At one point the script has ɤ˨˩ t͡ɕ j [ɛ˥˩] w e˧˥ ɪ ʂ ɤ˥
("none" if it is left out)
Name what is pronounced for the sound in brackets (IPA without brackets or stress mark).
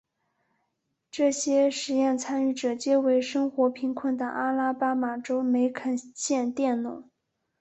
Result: ɛ˥